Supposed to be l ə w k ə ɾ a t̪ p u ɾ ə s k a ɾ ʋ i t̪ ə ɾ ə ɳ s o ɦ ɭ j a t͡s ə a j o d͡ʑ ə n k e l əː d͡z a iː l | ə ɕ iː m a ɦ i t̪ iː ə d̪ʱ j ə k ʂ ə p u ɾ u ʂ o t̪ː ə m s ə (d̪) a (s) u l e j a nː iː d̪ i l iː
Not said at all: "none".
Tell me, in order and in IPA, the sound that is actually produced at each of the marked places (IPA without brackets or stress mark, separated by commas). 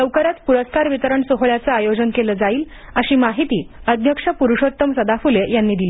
d̪, f